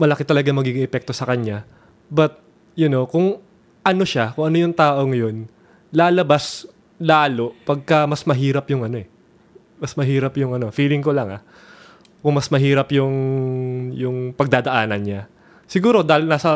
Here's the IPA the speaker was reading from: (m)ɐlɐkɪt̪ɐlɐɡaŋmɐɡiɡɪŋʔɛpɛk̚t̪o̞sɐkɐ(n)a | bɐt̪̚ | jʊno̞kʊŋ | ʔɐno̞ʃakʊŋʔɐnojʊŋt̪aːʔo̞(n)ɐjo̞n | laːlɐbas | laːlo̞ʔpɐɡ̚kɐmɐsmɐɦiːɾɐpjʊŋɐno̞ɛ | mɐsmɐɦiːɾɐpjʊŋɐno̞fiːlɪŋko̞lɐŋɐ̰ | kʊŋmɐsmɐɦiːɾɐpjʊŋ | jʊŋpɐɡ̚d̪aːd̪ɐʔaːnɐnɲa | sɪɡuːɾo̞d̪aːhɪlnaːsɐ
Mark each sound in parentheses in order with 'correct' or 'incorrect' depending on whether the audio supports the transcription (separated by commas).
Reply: correct, incorrect, incorrect